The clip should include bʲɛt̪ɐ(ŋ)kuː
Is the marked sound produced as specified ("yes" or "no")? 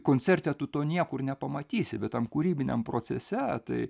no